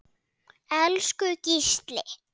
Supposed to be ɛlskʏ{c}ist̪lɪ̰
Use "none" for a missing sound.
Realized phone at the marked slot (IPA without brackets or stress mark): c